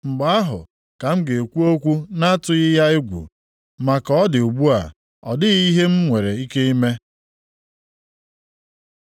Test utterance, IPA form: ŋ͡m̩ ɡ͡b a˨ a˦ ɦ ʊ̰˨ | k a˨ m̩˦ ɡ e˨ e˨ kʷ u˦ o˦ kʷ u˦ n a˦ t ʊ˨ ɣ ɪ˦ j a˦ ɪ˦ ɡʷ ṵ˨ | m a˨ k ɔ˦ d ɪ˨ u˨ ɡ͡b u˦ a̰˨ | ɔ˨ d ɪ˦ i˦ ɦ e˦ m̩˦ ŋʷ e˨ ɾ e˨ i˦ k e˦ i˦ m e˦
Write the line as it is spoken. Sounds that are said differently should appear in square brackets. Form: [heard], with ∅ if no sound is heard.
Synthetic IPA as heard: ŋ͡m̩ ɡ͡b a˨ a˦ ɦ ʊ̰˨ | k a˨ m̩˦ ɡ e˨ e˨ kʷ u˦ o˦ kʷ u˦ n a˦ t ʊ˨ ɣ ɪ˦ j a˦ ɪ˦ ɡʷ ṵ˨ | m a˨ k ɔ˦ d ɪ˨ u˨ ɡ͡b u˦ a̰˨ | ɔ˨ d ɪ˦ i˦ ɦ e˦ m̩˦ ŋʷ e˨ ɾ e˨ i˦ k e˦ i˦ m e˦

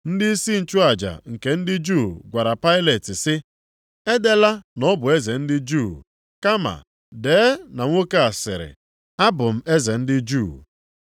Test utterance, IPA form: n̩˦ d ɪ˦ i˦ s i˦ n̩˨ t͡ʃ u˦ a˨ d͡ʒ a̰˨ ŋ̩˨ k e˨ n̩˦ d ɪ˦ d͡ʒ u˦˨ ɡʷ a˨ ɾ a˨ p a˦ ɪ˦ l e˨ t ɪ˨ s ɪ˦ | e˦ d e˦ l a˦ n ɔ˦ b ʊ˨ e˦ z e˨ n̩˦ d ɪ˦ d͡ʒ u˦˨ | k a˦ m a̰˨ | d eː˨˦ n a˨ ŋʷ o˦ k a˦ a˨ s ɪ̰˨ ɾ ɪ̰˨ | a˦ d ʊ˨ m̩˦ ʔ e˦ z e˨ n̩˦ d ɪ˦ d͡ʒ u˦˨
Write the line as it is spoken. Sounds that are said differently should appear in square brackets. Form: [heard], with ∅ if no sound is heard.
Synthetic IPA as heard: n̩˦ d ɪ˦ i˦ s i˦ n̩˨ t͡ʃ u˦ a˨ d͡ʒ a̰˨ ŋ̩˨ k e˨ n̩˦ d ɪ˦ d͡ʒ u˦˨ ɡʷ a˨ ɾ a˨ p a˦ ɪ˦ l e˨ t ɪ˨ s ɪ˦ | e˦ d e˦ l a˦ n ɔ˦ b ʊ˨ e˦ z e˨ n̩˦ d ɪ˦ d͡ʒ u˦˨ | k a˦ m a̰˨ | d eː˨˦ n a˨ ŋʷ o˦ k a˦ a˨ s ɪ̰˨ ɾ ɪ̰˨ | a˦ [b] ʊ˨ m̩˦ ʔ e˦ z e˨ n̩˦ d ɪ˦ d͡ʒ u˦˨

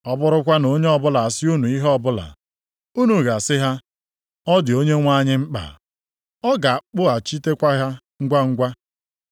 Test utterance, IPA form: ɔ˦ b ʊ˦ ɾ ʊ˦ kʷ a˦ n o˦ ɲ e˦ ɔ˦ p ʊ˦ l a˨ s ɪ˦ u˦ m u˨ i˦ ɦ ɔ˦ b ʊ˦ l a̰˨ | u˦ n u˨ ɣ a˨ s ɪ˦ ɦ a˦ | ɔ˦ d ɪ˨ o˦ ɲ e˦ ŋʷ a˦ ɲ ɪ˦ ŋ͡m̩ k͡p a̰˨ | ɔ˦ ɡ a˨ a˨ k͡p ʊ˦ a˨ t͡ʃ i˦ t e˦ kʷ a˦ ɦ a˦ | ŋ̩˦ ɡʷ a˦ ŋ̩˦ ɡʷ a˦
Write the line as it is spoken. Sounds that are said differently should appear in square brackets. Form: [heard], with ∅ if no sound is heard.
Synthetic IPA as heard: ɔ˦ b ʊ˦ ɾ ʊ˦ kʷ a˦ n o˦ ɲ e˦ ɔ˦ [b] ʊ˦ l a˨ s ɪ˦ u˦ [n] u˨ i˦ ɦ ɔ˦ b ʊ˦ l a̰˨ | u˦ n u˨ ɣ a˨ s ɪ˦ ɦ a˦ | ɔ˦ d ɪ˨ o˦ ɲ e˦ ŋʷ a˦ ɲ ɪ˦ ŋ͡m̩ k͡p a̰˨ | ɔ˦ ɡ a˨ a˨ k͡p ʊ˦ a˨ t͡ʃ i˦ t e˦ kʷ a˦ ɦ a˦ | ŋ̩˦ ɡʷ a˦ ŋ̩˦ ɡʷ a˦

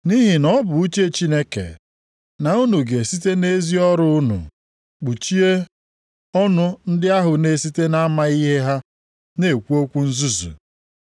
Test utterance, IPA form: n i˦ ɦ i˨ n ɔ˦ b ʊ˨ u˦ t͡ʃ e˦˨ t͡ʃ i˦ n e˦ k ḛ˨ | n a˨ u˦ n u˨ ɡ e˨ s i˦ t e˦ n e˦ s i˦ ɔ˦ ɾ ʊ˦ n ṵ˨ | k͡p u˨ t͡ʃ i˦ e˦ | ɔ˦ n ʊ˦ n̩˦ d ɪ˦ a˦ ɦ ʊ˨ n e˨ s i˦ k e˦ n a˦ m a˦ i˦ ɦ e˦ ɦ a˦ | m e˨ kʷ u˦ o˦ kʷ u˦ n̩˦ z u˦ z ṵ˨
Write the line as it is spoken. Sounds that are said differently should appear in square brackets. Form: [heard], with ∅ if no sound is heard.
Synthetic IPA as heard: n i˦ ɦ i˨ n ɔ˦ b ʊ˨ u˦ t͡ʃ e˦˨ t͡ʃ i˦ n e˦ k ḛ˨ | n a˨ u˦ n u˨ ɡ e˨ s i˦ t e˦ n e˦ [z] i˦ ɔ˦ ɾ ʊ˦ n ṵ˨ | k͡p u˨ t͡ʃ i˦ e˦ | ɔ˦ n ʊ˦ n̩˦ d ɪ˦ a˦ ɦ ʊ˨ n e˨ s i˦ [t] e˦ n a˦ m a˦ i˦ ɦ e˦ ɦ a˦ | [n] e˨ kʷ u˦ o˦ kʷ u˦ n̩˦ z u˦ z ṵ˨

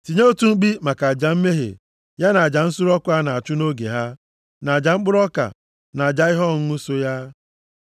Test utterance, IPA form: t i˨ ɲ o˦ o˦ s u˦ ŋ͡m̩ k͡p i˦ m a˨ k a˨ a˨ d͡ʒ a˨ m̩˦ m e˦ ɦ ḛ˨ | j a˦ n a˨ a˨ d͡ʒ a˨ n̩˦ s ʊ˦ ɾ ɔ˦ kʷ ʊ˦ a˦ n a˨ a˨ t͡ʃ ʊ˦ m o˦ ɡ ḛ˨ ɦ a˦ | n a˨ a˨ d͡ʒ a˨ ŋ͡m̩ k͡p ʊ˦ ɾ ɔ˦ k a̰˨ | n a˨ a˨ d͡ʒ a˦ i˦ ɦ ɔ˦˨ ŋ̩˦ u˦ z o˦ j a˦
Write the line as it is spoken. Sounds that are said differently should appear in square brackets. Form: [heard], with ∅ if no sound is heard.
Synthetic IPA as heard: t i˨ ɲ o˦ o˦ [t] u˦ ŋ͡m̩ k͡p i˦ m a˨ k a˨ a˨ d͡ʒ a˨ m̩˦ m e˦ ɦ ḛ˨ | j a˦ n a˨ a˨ d͡ʒ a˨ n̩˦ s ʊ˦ ɾ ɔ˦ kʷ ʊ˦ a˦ n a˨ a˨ t͡ʃ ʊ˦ [n] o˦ ɡ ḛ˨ ɦ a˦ | n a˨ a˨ d͡ʒ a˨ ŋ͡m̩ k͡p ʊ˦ ɾ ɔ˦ k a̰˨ | n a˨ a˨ d͡ʒ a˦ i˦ ɦ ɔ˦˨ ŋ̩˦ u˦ [s] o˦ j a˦

